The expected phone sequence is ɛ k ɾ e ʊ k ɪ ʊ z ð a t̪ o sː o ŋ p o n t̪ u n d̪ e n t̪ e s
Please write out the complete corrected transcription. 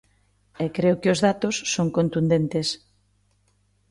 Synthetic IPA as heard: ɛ k ɾ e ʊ k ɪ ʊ z ð a t̪ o sː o ŋ k o n t̪ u n d̪ e n t̪ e s